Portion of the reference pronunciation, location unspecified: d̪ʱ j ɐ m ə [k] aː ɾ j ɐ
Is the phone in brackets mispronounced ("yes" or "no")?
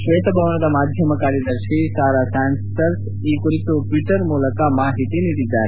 no